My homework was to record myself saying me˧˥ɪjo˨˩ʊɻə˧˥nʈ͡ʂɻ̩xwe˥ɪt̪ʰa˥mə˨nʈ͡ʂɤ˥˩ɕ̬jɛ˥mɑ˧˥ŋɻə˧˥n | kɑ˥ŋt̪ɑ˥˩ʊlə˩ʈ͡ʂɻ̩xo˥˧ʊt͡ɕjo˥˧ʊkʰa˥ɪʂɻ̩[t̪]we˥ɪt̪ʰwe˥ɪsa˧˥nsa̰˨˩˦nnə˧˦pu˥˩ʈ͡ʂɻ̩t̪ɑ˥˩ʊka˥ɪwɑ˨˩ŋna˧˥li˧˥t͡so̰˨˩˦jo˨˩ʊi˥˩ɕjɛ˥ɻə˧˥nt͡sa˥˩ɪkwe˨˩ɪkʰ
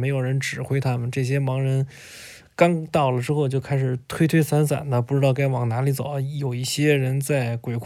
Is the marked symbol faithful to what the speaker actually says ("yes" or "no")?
no